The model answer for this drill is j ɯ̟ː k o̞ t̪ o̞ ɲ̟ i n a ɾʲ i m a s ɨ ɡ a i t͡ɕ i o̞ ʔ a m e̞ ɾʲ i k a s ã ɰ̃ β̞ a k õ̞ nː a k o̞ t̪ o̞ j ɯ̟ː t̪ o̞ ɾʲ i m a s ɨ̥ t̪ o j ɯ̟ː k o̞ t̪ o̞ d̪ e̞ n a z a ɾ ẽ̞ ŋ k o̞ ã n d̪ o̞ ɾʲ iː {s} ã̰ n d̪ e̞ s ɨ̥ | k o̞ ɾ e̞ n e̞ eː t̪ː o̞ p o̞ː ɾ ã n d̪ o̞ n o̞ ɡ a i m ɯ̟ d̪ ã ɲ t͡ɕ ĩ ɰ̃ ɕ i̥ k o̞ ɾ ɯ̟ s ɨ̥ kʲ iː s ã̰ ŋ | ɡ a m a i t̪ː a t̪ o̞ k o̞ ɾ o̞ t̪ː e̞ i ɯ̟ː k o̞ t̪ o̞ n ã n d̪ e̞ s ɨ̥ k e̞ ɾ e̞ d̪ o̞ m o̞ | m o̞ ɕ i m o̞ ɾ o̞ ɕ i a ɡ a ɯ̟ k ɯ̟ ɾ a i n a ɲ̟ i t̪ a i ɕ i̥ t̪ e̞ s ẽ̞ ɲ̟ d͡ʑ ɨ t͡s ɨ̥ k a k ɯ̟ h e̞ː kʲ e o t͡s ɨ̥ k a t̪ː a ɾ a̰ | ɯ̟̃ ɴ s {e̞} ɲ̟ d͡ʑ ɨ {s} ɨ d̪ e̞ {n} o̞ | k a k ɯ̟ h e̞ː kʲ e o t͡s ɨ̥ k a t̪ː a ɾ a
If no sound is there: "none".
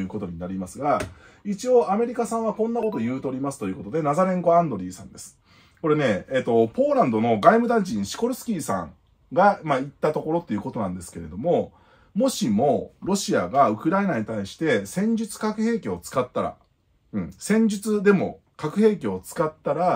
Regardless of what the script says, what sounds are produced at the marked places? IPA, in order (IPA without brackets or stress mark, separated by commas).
s, ẽ̞, t͡s, m